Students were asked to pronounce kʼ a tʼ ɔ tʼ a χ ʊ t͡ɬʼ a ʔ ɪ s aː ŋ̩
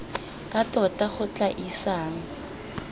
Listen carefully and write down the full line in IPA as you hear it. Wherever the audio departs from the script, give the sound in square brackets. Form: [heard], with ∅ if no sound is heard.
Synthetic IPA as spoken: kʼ a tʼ ɔ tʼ a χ ʊ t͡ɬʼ a ʔ [i] s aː ŋ̩